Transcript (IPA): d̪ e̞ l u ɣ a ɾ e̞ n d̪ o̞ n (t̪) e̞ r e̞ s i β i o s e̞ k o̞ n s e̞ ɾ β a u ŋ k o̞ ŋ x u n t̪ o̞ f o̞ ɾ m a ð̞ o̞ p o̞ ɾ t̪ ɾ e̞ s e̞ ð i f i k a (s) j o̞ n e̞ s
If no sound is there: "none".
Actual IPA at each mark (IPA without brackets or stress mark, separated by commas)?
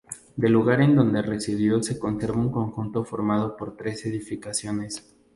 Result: d̪, s